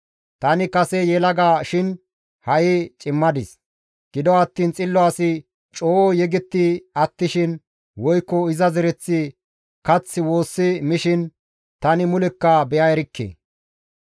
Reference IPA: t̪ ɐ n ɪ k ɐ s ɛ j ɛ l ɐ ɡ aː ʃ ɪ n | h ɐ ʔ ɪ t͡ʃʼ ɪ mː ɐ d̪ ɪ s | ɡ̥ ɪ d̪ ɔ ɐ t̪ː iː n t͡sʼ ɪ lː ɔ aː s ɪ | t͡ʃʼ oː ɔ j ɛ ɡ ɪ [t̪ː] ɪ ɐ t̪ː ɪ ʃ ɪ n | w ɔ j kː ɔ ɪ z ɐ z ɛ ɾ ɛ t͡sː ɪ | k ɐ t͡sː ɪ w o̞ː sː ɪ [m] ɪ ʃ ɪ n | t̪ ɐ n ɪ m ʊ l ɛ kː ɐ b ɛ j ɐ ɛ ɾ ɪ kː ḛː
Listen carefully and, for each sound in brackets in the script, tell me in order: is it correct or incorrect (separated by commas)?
correct, correct